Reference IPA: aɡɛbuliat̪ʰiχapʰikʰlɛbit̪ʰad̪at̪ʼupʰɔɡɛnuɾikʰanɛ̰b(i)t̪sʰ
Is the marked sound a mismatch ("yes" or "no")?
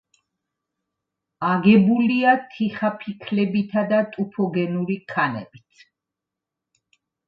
no